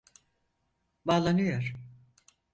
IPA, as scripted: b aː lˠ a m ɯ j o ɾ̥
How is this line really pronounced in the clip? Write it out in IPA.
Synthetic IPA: b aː lˠ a n ɯ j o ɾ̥